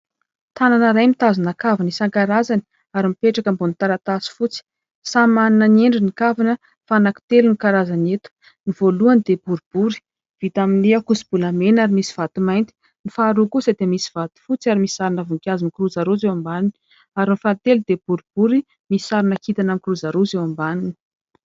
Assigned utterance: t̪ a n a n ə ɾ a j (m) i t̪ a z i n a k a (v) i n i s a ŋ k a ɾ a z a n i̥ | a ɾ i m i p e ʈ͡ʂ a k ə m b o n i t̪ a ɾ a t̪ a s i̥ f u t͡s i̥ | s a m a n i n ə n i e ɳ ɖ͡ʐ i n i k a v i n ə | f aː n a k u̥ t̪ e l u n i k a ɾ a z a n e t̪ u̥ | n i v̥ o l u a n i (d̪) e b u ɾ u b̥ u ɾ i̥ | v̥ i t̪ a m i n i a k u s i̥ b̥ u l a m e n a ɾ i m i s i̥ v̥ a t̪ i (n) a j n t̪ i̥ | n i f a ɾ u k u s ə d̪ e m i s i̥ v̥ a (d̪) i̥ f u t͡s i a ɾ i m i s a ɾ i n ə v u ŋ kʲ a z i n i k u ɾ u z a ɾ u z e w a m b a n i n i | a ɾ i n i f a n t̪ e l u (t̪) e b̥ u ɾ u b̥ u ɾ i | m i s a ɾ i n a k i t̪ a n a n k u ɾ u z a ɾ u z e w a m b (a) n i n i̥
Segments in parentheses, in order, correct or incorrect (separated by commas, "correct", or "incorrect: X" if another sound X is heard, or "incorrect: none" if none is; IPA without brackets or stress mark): correct, correct, correct, incorrect: m, incorrect: t̪, incorrect: d̪, correct